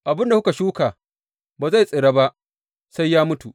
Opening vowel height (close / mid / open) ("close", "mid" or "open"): open